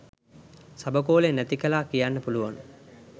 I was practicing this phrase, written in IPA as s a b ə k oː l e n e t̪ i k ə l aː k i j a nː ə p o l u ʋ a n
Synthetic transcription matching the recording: s a b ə k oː l e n æ t̪ i k ə l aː k i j a nː ə p u l u ʋ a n